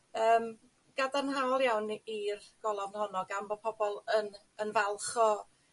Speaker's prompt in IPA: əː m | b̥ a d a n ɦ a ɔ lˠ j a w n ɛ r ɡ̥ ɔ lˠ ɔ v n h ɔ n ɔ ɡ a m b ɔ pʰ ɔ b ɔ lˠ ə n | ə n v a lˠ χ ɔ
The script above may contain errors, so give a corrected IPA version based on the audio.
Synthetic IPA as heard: əː m | ɡ̥ a d a n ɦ a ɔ lˠ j a w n i r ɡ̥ ɔ lˠ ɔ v n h ɔ n ɔ ɡ a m b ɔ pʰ ɔ b ɔ lˠ ə n | ə n v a lˠ χ ɔ